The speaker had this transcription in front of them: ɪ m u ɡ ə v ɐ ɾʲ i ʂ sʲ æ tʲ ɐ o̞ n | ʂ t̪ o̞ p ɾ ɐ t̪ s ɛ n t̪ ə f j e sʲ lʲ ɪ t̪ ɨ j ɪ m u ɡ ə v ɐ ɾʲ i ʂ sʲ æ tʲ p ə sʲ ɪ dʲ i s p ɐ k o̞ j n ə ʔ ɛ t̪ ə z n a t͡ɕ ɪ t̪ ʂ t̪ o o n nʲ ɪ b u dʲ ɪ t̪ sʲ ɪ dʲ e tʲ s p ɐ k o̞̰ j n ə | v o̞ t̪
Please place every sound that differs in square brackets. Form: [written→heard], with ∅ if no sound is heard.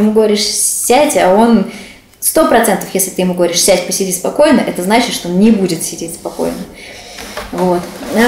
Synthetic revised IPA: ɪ m u ɡ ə v ɐ ɾʲ i ʂ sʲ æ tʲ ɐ o̞ n | [ʂ→s] t̪ o̞ p ɾ ɐ t̪ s ɛ n t̪ ə f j e sʲ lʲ ɪ t̪ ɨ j ɪ m u ɡ ə v ɐ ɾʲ i ʂ sʲ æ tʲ p ə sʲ ɪ dʲ i s p ɐ k o̞ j n ə ʔ ɛ t̪ ə z n a t͡ɕ ɪ t̪ ʂ t̪ o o n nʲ ɪ b u dʲ ɪ t̪ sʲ ɪ dʲ e tʲ s p ɐ k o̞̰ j n ə | v o̞ t̪